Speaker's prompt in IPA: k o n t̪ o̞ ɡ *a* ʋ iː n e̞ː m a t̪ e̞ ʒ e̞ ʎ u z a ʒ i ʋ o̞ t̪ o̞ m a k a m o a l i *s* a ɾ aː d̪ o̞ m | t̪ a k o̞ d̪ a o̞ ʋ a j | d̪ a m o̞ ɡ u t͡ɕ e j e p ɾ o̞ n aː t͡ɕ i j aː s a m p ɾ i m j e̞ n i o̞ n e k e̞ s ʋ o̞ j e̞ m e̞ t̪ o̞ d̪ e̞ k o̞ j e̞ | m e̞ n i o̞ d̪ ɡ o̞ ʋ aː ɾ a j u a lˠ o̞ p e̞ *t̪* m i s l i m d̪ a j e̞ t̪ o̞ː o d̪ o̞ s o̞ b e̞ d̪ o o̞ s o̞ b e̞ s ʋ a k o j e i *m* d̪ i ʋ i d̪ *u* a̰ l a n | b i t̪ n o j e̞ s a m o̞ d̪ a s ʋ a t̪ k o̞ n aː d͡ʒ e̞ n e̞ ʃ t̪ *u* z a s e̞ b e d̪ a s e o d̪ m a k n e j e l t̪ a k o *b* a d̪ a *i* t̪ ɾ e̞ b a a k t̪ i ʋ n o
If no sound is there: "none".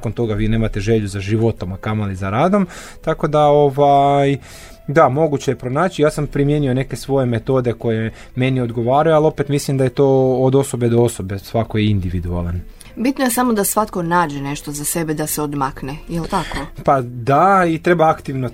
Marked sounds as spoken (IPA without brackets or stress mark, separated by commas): a, z, t̪, n, u, o, p, i